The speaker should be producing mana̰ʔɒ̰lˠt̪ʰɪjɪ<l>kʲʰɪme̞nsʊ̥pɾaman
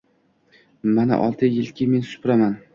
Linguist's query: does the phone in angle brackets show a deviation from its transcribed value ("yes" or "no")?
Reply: no